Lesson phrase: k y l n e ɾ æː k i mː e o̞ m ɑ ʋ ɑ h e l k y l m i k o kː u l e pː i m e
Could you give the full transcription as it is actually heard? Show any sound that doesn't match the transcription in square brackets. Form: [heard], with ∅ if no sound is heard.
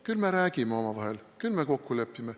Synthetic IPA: k y l [m] e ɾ æː k i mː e o̞ m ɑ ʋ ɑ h e l k y l m [e] k o kː u l e pː i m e

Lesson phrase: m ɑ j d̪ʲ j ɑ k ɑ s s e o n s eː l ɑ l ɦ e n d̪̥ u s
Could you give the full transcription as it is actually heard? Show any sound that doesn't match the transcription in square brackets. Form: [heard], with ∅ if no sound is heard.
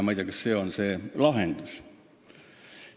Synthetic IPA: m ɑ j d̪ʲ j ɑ k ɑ s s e o n s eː l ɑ [∅] ɦ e n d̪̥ u s

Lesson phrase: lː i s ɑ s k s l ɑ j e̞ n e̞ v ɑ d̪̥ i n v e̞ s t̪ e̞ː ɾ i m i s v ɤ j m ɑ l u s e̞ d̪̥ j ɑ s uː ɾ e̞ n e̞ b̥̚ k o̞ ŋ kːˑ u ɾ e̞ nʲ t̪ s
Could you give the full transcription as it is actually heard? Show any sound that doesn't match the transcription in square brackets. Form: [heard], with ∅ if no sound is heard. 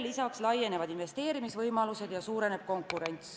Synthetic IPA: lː i s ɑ [∅] k s l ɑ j e̞ n e̞ v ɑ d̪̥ i n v e̞ s t̪ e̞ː ɾ i m i s v ɤ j m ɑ l u s e̞ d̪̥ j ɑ s uː ɾ e̞ n e̞ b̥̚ k o̞ ŋ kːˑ u ɾ e̞ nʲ t̪ s

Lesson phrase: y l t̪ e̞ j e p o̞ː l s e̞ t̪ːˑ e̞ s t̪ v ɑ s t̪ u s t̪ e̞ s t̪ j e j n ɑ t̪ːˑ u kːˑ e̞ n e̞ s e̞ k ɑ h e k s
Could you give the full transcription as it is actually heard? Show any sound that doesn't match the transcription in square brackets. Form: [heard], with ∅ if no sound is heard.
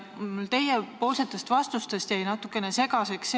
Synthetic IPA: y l t̪ e̞ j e p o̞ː l s e̞ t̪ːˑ e̞ s t̪ v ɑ s t̪ u s t̪ e̞ s t̪ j [æ] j n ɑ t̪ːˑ u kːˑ e̞ n e̞ s e̞ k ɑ [s] e k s

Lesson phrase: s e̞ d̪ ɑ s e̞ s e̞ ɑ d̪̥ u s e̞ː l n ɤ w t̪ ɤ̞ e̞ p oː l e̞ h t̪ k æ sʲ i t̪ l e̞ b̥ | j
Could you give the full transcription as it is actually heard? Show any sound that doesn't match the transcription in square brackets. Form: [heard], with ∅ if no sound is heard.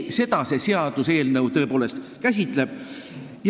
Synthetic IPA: s e̞ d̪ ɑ s e̞ s e̞ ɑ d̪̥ u s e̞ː l n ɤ w t̪ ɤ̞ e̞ p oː l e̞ [s] t̪ k æ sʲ i t̪ l e̞ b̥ | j

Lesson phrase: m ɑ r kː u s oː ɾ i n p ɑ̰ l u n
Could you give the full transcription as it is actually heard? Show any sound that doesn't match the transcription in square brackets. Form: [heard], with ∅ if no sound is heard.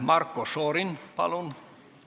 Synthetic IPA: m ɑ r kː [o] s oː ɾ i n p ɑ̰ l u n

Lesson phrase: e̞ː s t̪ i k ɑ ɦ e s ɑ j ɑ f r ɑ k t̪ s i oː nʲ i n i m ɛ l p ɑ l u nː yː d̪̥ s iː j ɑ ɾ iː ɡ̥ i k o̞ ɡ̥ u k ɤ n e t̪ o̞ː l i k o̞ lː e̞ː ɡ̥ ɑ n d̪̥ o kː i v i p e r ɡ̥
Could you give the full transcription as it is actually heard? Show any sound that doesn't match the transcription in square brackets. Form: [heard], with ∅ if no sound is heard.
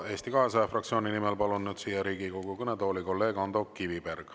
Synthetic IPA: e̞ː s t̪ i k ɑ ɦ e s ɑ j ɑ f r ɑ k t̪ s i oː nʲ i n i m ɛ l p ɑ l u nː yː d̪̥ s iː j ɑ ɾ iː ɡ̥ i k o̞ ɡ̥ u k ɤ n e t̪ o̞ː l i k o̞ lː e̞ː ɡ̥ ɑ n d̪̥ o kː i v i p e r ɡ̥

